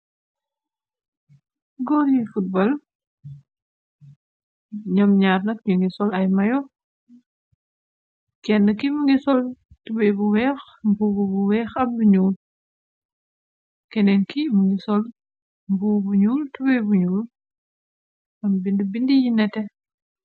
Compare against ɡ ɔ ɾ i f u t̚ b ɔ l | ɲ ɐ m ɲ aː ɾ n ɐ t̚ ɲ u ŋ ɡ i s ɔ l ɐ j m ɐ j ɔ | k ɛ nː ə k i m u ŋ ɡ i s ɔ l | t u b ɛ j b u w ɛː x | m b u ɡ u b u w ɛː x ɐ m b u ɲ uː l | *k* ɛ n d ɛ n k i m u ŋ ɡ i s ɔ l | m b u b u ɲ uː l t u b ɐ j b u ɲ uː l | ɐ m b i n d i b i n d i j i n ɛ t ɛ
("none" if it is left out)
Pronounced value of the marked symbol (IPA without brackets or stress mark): k